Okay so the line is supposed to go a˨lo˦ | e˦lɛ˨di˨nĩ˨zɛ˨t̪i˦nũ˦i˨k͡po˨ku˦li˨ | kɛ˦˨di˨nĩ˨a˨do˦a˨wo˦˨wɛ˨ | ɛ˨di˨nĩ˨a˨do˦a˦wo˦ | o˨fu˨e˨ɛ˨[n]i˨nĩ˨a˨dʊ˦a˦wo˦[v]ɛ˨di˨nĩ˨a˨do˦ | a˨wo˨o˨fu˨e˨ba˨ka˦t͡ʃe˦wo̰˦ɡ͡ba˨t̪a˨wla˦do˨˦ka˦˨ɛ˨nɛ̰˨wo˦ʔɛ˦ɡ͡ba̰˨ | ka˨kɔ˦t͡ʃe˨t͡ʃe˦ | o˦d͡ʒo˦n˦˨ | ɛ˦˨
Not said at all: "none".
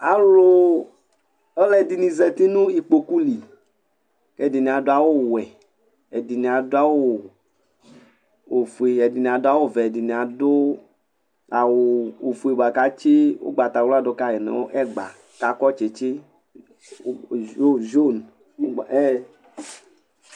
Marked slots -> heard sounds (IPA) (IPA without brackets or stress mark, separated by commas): d, v